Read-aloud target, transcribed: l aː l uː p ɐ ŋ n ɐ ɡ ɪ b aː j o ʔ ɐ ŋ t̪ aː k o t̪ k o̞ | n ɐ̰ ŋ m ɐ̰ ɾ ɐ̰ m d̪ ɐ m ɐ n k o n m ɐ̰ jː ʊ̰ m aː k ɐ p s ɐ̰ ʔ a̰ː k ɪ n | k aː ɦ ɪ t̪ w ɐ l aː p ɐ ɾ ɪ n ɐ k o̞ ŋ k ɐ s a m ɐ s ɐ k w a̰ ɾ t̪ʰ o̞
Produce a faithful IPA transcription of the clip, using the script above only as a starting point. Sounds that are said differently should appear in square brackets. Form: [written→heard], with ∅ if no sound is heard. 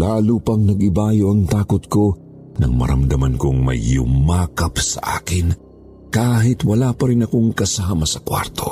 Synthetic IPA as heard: l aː l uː p ɐ ŋ n ɐ ɡ ɪ b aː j o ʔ ɐ ŋ t̪ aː k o t̪ k o̞ | n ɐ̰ ŋ m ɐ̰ ɾ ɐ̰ m d̪ ɐ m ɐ n k o [n→ŋ] m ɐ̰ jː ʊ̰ m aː k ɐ p s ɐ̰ ʔ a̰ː k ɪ n | k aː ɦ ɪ t̪ w ɐ l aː p ɐ ɾ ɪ n ɐ k o̞ ŋ k ɐ s a m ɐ s ɐ k w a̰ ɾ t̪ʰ o̞